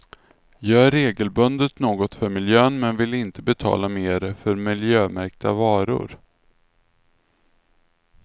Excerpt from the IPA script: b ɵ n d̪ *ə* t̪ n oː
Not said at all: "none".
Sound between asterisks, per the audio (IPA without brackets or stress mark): ə